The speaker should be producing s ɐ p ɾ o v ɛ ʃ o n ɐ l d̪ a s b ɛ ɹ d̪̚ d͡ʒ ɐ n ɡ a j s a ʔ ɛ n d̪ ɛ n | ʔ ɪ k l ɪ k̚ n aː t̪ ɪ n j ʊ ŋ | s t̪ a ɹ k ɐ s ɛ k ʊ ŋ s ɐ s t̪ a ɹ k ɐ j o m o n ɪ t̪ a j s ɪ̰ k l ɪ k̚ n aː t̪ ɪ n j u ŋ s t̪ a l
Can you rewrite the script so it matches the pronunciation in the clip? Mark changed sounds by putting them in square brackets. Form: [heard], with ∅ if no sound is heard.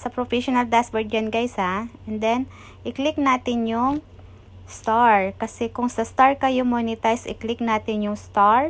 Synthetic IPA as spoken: s ɐ p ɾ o [f] ɛ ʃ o n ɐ l d̪ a s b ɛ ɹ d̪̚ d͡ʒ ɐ n ɡ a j s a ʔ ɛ n d̪ ɛ n | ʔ ɪ k l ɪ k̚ n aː t̪ ɪ n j ʊ ŋ | s t̪ a ɹ k ɐ s ɛ k ʊ ŋ s ɐ s t̪ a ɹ k ɐ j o m o n ɪ t̪ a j s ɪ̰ k l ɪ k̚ n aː t̪ ɪ n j [ʊ] ŋ s t̪ a [ɹ]